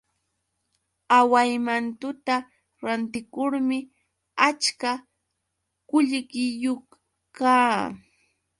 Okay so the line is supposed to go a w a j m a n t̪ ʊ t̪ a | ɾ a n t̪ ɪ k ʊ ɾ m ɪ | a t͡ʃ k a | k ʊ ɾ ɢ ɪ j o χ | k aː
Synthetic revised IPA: a w a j m a n t̪ ʊ t̪ a | ɾ a n t̪ ɪ k ʊ ɾ m ɪ | a t͡ʃ k a | k ʊ ʎ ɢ ɪ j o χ | k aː